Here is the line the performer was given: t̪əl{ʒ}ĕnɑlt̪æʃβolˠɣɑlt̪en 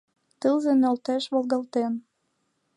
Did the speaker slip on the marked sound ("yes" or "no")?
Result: yes